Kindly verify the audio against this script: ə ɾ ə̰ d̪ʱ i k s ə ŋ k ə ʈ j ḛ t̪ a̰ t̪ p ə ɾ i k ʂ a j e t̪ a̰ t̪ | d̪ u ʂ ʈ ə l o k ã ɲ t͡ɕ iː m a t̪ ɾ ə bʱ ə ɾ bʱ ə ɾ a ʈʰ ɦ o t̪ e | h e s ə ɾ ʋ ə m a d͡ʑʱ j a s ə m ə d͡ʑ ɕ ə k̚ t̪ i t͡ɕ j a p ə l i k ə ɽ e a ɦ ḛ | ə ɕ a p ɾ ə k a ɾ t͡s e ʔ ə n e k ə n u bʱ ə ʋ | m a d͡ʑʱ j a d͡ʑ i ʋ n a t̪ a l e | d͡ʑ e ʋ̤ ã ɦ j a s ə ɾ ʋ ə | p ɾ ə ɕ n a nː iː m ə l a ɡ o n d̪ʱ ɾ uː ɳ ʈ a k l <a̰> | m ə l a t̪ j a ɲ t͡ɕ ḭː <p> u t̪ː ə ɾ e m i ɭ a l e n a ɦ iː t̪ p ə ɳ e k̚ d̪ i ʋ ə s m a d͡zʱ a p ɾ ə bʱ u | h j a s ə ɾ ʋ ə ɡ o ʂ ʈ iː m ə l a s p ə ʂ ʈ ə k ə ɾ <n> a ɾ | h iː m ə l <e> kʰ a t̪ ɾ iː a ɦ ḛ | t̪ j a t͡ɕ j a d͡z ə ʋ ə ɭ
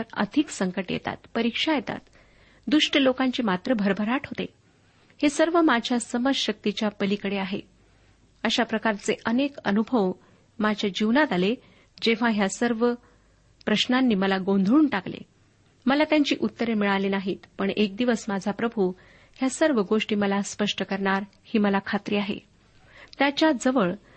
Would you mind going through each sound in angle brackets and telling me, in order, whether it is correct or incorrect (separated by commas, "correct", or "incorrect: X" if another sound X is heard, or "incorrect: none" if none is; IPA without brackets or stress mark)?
incorrect: ḛ, incorrect: ʔ, incorrect: ɳ, incorrect: a